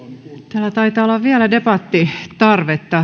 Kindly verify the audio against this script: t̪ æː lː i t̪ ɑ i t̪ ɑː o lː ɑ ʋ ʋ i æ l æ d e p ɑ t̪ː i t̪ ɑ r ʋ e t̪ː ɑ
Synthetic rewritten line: t̪ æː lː æ t̪ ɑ i t̪ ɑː o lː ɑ ʋ ʋ i æ l æ d e p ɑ t̪ː i t̪ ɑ r ʋ e t̪ː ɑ